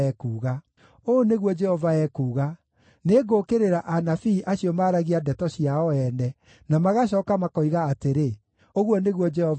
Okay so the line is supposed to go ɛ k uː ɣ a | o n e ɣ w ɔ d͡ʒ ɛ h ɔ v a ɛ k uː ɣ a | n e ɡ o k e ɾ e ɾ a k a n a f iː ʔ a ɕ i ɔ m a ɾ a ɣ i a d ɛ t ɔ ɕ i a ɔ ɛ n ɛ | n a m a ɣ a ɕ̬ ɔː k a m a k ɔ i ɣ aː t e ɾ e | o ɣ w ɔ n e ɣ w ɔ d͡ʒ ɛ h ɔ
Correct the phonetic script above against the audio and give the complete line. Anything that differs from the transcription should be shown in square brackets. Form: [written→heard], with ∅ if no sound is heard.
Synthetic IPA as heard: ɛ k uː ɣ a | o n e ɣ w ɔ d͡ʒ ɛ h ɔ v a ɛ k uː ɣ a | n e ɡ o k e ɾ e ɾ a [k→ʔ] a n a f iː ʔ a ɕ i ɔ m a ɾ a ɣ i a d ɛ t ɔ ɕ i a ɔ ɛ n ɛ | n a m a ɣ a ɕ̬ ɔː k a m a k ɔ i ɣ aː t e ɾ e | o ɣ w ɔ n e ɣ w ɔ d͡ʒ ɛ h ɔ